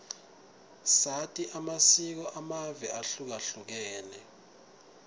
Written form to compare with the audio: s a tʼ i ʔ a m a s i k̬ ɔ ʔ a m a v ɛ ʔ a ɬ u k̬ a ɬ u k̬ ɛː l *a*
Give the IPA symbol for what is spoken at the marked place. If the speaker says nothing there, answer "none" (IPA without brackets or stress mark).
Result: ɛ